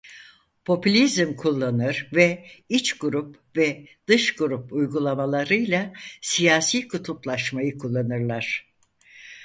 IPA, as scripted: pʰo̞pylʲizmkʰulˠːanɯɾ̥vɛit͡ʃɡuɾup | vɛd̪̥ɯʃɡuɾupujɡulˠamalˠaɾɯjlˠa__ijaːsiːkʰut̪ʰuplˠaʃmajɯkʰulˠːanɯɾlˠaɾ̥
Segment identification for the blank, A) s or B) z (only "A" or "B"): A